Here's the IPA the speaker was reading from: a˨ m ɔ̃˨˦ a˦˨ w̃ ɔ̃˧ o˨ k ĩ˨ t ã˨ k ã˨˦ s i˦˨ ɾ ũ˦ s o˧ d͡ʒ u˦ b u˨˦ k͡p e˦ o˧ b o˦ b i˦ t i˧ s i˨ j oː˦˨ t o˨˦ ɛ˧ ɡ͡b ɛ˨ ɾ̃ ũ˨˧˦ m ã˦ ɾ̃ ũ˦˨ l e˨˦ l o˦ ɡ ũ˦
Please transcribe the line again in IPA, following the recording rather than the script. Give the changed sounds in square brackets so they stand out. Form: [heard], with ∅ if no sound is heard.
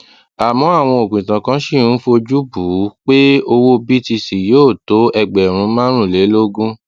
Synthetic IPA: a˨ m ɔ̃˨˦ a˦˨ w̃ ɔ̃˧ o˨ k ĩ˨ t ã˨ k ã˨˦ [ʃ] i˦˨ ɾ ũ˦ [f] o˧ d͡ʒ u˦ b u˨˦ k͡p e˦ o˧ [w] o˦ b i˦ t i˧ s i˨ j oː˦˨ t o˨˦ ɛ˧ ɡ͡b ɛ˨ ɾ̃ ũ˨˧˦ m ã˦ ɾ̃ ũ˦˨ l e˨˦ l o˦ ɡ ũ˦